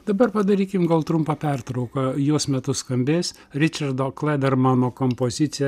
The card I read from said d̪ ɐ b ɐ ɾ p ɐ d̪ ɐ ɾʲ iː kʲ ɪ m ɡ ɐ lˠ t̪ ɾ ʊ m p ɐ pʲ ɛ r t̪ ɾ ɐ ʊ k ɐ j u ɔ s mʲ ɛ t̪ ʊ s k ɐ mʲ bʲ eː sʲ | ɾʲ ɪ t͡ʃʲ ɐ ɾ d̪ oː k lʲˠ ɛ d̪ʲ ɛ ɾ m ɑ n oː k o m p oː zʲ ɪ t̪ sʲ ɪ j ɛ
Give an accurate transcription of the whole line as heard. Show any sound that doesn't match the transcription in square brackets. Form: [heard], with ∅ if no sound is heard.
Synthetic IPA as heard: d̪ ɐ b ɐ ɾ p ɐ d̪ ɐ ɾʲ iː kʲ ɪ m ɡ ɐ lˠ t̪ ɾ ʊ m p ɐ pʲ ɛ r t̪ ɾ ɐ ʊ k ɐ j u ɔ s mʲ ɛ t̪ ʊ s k ɐ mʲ bʲ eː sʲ | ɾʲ ɪ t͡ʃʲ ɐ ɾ d̪ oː k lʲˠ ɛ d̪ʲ ɛ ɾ m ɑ n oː k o m p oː zʲ ɪ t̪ sʲ ɪ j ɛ